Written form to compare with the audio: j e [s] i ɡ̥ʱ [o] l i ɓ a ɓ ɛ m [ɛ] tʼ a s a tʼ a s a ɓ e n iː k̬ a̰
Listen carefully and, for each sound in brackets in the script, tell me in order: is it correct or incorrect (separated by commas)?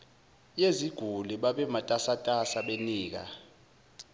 incorrect, incorrect, incorrect